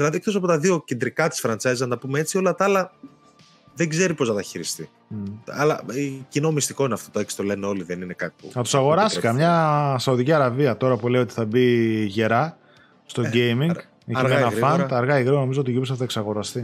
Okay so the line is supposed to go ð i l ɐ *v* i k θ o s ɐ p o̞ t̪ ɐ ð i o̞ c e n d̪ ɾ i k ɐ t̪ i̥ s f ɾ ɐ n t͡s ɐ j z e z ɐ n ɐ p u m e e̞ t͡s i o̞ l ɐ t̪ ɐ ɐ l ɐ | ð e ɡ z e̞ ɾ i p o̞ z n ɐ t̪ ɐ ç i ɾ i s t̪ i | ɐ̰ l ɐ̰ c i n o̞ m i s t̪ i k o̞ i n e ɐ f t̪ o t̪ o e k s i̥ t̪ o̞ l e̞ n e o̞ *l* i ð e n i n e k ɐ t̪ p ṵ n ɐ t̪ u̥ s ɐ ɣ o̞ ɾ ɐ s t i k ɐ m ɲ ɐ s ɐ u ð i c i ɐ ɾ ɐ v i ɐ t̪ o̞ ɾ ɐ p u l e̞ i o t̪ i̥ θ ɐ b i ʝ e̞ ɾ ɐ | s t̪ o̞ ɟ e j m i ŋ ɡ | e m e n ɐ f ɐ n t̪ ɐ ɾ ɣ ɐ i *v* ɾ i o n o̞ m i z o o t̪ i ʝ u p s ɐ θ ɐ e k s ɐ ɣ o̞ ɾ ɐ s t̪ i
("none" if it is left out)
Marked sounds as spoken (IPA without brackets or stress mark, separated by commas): ð, l, ɣ